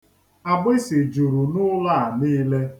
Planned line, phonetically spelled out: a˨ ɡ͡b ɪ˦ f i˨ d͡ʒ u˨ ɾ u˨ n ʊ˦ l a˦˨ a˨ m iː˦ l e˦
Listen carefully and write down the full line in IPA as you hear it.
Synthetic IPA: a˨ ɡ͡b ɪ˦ s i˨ d͡ʒ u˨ ɾ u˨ n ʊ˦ l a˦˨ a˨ n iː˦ l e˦